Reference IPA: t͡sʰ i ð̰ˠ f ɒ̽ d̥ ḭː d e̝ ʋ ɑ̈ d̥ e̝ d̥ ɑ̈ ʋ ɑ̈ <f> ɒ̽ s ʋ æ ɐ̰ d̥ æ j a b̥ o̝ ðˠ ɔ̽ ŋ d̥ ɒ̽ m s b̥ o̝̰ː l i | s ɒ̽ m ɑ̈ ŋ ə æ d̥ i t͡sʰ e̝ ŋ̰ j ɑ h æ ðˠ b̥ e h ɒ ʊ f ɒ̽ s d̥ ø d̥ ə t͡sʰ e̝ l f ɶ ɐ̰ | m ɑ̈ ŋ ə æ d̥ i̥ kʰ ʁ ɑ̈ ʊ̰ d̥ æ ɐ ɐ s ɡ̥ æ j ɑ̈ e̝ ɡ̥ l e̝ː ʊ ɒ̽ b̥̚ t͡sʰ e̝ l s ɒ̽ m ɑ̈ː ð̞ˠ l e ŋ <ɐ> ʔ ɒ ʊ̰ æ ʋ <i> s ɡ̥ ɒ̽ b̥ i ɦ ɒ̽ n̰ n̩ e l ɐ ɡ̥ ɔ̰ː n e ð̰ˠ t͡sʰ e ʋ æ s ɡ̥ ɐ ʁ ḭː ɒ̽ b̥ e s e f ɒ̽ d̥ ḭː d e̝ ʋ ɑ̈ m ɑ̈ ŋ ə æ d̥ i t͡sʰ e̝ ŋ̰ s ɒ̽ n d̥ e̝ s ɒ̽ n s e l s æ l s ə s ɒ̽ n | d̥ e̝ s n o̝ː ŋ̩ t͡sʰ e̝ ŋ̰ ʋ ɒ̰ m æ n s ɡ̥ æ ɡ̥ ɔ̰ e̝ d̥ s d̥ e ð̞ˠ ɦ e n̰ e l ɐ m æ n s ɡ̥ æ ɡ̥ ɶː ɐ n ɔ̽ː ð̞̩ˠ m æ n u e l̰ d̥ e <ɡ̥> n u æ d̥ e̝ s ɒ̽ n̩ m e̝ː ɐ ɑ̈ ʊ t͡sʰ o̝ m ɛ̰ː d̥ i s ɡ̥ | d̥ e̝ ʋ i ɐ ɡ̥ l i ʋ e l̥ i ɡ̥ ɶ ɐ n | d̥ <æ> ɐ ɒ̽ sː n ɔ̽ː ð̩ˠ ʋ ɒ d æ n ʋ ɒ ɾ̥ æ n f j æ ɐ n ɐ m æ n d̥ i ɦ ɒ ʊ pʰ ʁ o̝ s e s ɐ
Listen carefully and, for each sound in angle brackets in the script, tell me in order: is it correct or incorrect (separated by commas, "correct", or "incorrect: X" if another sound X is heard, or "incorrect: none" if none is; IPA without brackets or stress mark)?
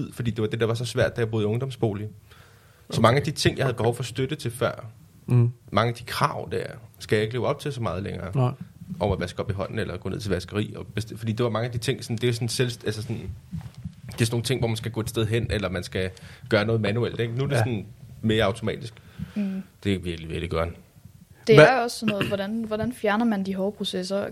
incorrect: s, incorrect: ɐː, incorrect: æ, correct, incorrect: e